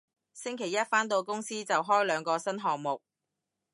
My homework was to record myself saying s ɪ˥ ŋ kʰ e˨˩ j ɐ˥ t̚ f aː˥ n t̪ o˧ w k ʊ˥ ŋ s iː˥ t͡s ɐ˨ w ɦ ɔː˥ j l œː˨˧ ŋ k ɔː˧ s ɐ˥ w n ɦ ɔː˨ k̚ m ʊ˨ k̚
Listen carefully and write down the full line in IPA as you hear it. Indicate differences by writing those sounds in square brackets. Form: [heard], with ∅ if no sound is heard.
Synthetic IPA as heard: s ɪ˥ ŋ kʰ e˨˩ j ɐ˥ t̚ f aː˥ n t̪ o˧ w k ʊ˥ ŋ s iː˥ t͡s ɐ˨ w ɦ ɔː˥ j l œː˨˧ ŋ k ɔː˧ s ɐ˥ [∅] n ɦ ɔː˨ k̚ m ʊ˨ k̚

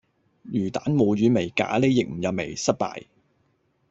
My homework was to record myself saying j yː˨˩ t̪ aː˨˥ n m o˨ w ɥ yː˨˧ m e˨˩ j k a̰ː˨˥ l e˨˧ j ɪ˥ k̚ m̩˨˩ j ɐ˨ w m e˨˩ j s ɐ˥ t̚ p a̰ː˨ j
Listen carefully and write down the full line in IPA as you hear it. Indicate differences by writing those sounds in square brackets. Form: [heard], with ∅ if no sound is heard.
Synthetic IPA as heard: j yː˨˩ t̪ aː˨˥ n m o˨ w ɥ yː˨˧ m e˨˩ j k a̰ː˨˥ l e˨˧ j [ɪ˨] k̚ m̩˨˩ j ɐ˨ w m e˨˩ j s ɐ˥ t̚ p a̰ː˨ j

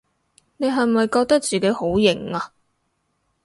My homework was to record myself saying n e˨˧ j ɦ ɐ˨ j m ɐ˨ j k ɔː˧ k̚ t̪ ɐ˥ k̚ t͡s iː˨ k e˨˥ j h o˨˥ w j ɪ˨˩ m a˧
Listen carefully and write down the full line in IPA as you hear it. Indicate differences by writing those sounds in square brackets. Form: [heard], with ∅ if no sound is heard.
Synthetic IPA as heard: n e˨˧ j ɦ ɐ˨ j m ɐ˨ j k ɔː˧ k̚ t̪ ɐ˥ k̚ t͡s iː˨ k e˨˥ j h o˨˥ w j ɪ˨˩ [ŋ] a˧

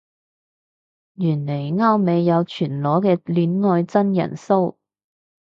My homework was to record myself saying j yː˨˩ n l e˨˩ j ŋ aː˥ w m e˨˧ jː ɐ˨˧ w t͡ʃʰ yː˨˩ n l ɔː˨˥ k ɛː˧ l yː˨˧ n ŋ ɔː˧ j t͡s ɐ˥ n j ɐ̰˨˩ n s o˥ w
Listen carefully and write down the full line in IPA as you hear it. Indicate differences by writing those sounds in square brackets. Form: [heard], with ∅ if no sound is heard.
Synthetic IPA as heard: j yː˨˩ n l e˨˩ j ŋ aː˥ w m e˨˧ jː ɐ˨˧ w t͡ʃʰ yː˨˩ n l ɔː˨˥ k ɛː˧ l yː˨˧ n ŋ ɔː˧ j t͡s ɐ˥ n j ɐ̰˨˩ n s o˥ w

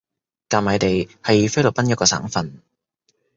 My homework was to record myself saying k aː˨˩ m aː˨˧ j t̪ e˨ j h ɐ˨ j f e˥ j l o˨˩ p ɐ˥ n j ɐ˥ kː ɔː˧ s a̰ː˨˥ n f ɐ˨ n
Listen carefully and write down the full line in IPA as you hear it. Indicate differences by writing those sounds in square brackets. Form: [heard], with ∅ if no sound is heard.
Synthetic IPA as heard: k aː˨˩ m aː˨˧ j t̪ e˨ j h ɐ˨ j f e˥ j l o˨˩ p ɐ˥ n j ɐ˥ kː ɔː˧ s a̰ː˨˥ [ŋ] f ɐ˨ n

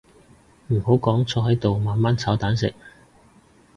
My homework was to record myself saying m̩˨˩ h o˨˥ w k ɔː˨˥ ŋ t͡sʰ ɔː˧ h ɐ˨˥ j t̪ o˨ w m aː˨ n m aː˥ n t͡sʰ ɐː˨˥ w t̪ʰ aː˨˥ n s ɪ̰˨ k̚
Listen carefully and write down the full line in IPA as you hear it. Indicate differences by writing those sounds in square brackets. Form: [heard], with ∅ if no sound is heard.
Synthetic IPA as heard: m̩˨˩ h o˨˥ w k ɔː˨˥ ŋ t͡sʰ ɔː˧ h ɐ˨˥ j t̪ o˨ w m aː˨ n m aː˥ n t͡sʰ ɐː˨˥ w [t̪] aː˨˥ n s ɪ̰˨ k̚

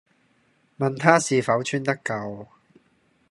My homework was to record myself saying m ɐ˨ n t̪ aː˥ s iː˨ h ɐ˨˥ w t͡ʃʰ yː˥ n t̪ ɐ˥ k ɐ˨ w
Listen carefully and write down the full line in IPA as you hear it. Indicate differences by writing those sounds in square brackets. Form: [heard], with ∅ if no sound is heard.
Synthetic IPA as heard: m ɐ˨ n [t̪ʰ] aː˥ s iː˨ [f] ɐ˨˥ w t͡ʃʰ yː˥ n t̪ ɐ˥ k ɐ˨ w

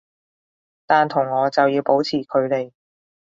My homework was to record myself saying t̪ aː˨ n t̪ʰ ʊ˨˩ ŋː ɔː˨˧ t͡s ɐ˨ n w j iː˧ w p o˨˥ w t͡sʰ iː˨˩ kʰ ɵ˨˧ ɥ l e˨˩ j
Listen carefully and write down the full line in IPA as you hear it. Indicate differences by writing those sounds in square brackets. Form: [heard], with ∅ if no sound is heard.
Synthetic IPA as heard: t̪ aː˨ n t̪ʰ ʊ˨˩ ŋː ɔː˨˧ t͡s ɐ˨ [∅] w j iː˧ w p o˨˥ w t͡sʰ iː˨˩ kʰ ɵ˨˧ ɥ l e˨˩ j

